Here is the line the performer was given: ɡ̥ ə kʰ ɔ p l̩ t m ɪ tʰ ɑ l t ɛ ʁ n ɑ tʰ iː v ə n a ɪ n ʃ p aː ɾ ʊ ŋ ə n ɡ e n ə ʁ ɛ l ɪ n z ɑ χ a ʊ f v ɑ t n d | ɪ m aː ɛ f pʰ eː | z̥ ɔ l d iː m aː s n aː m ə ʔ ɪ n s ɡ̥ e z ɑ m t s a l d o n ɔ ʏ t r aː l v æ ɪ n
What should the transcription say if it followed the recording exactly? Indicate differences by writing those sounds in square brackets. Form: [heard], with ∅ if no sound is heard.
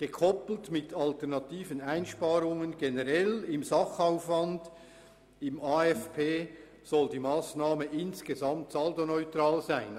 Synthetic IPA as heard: ɡ̥ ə kʰ ɔ p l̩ t m ɪ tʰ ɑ l t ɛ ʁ n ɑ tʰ iː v ə n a ɪ n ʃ p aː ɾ ʊ ŋ ə n ɡ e n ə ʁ ɛ l ɪ [m] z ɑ χ a ʊ f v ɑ [∅] n d | ɪ m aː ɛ f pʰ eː | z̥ ɔ l d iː m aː s n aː m ə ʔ ɪ n s ɡ̥ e z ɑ m t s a l d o n ɔ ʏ t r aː l [z] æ ɪ n